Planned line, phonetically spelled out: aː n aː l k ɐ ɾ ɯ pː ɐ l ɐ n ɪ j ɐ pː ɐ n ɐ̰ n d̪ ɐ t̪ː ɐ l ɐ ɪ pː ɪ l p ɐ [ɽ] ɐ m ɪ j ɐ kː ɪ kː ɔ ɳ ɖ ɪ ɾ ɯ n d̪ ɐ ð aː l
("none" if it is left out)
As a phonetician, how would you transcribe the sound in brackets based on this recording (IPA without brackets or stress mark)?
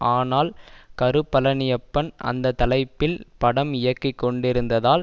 ɽ